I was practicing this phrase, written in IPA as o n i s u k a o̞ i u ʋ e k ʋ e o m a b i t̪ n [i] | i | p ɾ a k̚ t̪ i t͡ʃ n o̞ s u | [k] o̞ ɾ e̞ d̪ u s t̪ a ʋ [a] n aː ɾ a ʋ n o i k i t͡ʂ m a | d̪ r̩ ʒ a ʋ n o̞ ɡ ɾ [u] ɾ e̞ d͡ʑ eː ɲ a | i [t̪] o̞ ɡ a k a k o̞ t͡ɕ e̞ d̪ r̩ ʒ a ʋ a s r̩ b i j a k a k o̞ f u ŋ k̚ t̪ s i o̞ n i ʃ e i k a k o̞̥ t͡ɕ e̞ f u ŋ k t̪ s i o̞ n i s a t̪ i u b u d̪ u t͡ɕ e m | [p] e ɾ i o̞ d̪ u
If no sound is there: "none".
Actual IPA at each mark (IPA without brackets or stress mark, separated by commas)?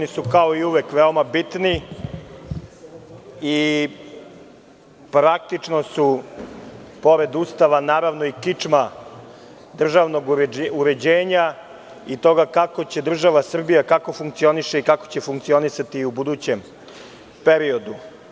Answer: i, p, a, u, t̪, p